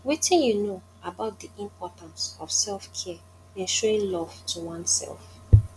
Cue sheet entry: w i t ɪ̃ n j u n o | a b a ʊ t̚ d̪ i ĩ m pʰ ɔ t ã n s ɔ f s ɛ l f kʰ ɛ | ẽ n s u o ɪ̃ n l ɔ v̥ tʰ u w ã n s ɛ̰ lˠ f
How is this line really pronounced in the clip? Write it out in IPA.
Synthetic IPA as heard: w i t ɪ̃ n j u n o | a b a ʊ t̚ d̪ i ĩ m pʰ ɔ t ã n s ɔ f s ɛ l f kʰ ɛ | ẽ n ʃ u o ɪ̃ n l ɔ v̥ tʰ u w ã n s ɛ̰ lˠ f